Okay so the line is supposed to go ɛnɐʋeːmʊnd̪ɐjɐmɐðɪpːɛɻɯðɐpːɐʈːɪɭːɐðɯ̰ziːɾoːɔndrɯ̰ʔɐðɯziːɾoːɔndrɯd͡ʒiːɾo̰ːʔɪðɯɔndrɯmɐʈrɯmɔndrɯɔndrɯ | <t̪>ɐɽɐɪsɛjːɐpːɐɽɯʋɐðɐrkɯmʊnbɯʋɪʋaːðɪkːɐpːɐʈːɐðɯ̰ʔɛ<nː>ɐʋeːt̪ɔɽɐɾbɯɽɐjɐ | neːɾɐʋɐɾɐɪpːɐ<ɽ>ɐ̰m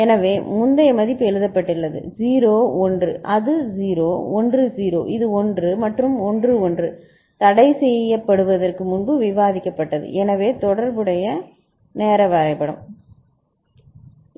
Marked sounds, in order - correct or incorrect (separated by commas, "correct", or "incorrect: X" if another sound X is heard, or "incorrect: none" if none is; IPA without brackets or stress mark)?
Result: correct, incorrect: n, correct